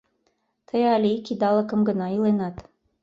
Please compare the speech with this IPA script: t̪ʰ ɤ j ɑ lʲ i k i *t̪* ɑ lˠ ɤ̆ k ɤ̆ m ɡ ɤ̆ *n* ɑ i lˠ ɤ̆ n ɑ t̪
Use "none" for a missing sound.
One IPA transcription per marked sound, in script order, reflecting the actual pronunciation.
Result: d̪, n

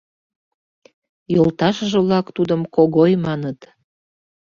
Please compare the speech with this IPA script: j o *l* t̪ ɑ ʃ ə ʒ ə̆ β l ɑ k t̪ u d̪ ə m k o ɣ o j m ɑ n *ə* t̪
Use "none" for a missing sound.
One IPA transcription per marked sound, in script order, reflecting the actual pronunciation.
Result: l, ə

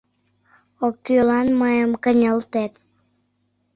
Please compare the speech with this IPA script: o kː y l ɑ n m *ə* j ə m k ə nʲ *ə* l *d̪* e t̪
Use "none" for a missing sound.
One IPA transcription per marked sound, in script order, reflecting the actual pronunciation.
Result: ə, ə, t̪

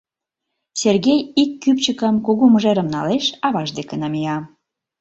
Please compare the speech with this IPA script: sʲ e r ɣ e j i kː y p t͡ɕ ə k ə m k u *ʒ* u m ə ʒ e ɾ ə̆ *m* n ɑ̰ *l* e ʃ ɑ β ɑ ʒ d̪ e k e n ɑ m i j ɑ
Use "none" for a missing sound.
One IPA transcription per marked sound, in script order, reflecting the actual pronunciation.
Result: ɣ, m, l

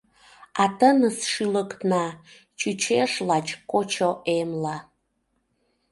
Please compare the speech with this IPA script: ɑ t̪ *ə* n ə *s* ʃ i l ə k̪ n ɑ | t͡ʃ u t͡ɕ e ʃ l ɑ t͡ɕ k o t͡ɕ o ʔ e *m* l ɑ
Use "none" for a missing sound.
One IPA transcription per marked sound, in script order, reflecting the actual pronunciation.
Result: ə, s, m

